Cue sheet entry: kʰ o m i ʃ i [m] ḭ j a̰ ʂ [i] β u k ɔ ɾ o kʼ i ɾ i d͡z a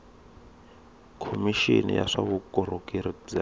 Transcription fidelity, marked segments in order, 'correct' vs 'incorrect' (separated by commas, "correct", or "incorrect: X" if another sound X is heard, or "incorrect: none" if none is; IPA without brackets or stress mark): incorrect: n, incorrect: a